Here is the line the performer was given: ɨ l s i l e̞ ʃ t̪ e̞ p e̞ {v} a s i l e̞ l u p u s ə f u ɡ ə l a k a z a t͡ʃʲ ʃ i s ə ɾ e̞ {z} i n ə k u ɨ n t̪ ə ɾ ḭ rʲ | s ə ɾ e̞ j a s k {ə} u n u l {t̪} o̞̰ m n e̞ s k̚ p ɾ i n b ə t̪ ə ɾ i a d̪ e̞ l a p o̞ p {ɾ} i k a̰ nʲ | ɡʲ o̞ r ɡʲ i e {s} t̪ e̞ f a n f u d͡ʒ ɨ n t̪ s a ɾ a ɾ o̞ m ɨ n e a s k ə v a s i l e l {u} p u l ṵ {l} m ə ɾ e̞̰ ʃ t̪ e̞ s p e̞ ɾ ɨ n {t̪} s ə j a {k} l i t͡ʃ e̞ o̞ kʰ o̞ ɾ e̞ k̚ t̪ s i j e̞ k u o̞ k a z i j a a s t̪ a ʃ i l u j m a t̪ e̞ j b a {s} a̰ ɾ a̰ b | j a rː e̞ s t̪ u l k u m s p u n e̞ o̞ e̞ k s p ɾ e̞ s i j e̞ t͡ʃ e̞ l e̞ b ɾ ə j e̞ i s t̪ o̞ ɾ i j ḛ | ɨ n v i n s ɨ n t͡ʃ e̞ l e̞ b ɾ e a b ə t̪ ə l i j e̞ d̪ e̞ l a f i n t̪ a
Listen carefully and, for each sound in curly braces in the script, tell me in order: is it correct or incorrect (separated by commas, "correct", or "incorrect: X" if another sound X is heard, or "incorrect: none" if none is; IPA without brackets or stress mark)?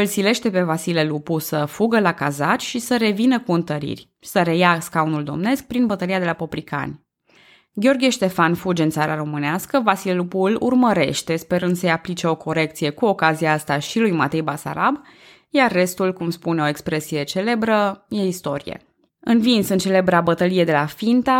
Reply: correct, incorrect: v, incorrect: a, incorrect: d̪, correct, incorrect: ʃ, correct, incorrect: r, incorrect: d̪, incorrect: p, correct